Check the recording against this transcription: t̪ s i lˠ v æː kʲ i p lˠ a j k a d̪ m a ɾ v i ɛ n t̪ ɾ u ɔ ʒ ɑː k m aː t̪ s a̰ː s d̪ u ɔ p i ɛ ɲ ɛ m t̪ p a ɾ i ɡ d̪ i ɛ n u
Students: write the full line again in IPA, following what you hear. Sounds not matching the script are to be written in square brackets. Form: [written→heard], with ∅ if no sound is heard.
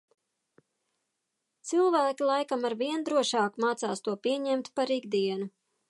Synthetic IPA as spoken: t̪ s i lˠ v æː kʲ i [p→∅] lˠ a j k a [d̪→∅] m a ɾ v i ɛ n [t̪→d̪] ɾ u ɔ [ʒ→ʃ] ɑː k m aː t̪ s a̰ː s [d̪→t̪] u ɔ p i ɛ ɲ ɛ m t̪ p a ɾ i ɡ d̪ i ɛ n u